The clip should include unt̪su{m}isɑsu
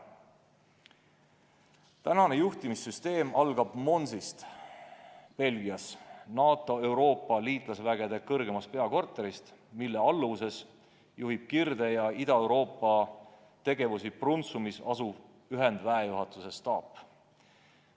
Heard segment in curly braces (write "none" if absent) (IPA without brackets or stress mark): m